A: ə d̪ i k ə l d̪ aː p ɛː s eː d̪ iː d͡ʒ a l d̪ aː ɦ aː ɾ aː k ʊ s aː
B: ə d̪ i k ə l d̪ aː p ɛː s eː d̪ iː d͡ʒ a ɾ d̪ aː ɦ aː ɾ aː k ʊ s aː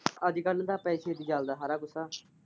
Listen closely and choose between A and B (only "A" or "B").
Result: A